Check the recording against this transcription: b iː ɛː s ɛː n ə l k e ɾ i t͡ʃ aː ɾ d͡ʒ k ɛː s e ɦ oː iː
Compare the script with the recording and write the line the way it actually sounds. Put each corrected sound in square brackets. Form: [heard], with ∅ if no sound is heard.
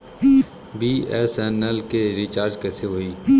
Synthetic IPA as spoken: b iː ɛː s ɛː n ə l k e ɾ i t͡ʃ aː ɾ d͡ʒ k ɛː s e ɦ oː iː